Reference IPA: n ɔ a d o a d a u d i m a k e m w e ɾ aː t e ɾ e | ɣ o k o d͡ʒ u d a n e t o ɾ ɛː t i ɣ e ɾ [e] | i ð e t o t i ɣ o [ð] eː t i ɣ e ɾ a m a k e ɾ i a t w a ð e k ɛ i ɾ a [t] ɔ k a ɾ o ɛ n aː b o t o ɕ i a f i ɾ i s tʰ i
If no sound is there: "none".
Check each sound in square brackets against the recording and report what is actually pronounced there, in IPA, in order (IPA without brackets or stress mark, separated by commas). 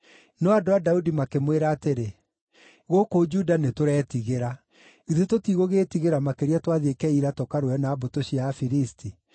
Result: a, ɣ, t